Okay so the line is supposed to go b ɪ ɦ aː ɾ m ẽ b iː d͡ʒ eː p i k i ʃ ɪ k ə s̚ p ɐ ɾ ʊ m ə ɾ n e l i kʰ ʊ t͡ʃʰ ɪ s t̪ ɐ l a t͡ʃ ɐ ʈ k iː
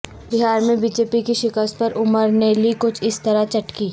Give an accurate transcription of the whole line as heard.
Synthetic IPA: b ɪ ɦ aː ɾ m ẽ b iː d͡ʒ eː p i k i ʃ ɪ k ə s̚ p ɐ ɾ ʊ m ə ɾ n e l i k ʊ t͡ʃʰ ɪ s t̪ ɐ ɾ a t͡ʃ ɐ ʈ k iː